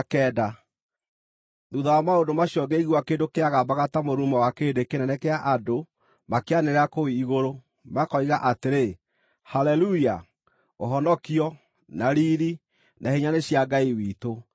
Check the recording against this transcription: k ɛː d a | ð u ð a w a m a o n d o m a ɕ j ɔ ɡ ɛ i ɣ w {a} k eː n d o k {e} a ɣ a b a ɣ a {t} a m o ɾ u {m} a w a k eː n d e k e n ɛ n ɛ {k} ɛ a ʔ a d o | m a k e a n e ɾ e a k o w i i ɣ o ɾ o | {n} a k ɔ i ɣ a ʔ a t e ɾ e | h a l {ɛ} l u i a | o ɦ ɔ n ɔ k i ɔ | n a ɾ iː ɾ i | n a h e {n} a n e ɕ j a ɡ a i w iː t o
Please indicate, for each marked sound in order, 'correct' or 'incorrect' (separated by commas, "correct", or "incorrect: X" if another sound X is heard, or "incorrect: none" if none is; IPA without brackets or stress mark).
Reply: correct, correct, correct, correct, correct, incorrect: m, correct, incorrect: ɲ